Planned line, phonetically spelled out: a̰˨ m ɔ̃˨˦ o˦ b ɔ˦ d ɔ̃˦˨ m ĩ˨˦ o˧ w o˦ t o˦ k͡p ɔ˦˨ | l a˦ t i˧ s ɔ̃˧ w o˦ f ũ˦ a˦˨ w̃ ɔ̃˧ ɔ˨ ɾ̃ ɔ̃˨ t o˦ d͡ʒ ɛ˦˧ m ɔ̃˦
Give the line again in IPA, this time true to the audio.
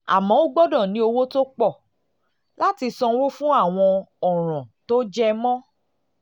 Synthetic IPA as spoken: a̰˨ m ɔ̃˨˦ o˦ ɡ͡b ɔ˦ d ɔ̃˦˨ n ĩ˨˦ o˧ w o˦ t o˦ k͡p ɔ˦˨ | l a˦ t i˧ s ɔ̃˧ w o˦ f ũ˦ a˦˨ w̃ ɔ̃˧ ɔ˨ ɾ̃ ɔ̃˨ t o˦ d͡ʒ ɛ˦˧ m ɔ̃˦

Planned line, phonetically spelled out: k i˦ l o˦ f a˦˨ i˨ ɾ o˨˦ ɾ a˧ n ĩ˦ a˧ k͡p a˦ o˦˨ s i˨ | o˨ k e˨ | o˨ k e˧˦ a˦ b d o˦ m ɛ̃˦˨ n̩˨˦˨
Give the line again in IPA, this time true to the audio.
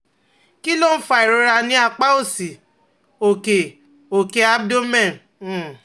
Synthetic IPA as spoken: k i˦ l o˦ f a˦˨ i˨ ɾ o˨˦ ɾ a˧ n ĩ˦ a˧ k͡p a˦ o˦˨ s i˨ | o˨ k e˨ | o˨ k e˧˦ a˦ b d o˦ m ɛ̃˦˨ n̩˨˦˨

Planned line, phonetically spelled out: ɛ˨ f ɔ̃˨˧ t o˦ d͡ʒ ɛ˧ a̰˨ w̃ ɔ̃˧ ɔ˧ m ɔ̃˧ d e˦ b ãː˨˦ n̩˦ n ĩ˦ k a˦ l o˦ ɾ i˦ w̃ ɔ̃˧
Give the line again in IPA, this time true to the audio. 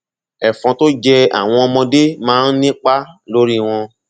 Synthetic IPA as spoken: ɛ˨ f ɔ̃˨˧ t o˦ d͡ʒ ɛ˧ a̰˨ w̃ ɔ̃˧ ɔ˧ m ɔ̃˧ d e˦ m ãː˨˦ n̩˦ n ĩ˦ k͡p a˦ l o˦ ɾ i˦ w̃ ɔ̃˧

